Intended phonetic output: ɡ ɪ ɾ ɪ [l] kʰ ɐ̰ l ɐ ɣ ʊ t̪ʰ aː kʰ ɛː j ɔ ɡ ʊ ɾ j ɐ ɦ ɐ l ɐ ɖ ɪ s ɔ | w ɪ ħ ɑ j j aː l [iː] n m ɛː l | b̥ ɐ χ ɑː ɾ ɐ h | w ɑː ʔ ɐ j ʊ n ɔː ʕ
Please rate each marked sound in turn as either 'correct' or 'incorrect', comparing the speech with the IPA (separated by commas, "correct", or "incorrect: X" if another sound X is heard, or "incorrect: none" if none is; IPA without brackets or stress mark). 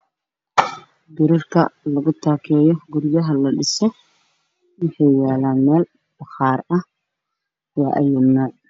incorrect: r, incorrect: aː